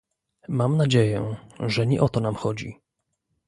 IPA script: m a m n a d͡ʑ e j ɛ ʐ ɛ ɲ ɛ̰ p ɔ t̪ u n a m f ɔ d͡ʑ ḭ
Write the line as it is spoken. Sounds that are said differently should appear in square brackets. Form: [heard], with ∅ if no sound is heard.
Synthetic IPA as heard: m a m n a d͡ʑ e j ɛ ʐ ɛ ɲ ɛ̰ [ʔ] ɔ t̪ [ɔ] n a m [x] ɔ d͡ʑ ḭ